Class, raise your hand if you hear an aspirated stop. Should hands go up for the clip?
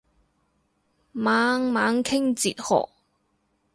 yes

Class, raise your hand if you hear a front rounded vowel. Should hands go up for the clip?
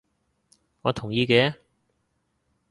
no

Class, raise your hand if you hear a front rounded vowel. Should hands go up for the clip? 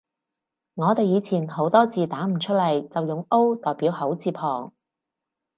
no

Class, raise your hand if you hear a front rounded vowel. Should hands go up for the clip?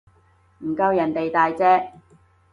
no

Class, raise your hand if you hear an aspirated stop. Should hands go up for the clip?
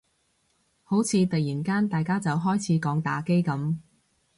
yes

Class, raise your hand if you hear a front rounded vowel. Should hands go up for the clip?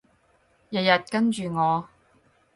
yes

